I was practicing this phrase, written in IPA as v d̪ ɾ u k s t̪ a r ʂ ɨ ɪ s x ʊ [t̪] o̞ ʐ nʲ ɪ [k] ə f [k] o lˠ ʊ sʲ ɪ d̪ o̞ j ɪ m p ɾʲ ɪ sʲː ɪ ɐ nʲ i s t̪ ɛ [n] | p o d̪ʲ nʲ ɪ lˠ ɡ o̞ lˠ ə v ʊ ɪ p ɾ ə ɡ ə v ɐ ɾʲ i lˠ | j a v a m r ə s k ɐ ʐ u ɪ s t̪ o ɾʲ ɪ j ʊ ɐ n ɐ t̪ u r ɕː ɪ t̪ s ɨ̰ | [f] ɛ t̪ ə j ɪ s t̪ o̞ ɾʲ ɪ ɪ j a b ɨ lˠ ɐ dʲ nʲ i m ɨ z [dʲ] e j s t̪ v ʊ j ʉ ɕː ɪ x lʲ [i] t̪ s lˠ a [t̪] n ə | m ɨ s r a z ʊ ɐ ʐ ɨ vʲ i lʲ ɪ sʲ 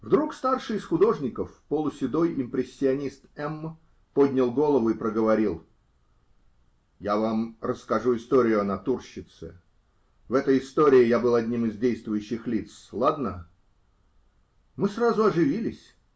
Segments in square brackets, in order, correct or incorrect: incorrect: d̪, correct, incorrect: p, incorrect: m, incorrect: v, correct, correct, incorrect: d̪

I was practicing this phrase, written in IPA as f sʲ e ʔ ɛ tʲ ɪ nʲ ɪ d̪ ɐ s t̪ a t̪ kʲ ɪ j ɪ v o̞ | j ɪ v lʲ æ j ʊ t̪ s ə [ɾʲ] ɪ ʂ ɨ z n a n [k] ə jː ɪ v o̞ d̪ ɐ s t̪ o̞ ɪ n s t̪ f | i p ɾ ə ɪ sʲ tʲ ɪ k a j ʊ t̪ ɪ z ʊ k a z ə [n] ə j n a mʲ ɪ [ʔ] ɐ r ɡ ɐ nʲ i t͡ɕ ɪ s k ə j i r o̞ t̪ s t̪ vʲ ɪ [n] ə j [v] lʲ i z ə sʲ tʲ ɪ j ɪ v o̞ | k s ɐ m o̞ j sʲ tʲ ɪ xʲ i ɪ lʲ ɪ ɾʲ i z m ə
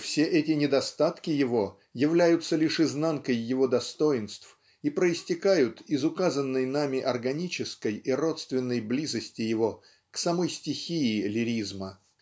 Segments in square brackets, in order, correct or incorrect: incorrect: lʲ, correct, incorrect: nː, correct, incorrect: nː, incorrect: b

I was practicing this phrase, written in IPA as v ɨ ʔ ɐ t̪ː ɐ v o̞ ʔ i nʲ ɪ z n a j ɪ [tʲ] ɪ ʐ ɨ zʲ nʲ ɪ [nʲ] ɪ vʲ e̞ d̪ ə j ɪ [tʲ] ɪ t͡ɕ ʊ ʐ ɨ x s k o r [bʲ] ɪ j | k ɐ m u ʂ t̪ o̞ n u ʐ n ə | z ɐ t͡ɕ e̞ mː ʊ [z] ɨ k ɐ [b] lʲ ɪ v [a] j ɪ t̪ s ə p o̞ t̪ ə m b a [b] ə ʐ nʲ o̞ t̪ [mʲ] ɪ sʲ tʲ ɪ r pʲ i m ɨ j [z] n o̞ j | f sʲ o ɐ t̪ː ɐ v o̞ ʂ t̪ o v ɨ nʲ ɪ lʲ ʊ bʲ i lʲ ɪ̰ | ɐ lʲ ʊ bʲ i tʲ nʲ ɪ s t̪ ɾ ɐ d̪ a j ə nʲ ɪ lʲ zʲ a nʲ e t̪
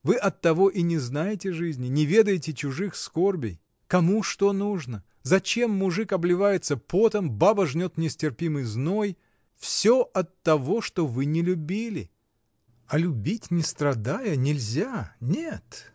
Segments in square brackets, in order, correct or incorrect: correct, correct, correct, correct, incorrect: ʐ, correct, correct, correct, incorrect: nʲ, correct

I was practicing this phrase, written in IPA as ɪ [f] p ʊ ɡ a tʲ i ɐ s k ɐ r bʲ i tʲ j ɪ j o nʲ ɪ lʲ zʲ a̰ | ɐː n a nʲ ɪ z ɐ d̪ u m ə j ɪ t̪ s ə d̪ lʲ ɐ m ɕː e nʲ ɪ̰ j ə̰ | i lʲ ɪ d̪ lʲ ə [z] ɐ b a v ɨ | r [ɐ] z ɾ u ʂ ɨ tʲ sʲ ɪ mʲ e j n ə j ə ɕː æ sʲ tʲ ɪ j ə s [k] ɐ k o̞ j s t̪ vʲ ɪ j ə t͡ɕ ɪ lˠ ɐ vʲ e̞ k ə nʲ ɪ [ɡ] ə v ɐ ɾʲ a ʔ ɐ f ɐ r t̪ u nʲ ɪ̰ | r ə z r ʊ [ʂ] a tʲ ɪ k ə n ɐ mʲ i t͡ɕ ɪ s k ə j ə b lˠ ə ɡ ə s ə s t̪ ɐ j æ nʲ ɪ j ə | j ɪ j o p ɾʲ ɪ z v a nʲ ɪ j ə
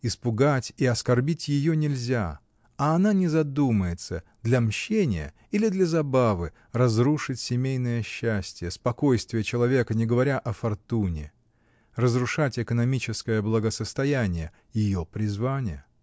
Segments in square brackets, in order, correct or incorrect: incorrect: s, correct, correct, incorrect: p, correct, correct

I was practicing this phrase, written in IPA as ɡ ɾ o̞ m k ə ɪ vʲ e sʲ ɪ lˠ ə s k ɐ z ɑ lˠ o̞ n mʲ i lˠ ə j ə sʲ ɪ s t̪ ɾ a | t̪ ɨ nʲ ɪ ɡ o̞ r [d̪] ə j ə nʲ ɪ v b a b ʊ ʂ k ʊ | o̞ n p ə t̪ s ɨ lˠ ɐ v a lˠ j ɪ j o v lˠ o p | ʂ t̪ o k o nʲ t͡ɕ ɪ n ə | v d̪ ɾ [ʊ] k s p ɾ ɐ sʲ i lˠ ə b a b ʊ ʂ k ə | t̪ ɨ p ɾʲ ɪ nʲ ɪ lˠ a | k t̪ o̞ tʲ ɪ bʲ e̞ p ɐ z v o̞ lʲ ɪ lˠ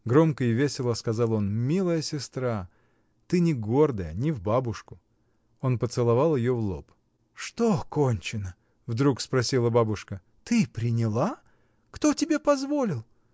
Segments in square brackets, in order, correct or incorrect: correct, incorrect: u

